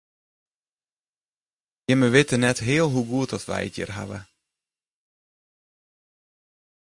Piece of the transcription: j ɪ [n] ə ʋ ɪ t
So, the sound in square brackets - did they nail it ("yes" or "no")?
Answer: no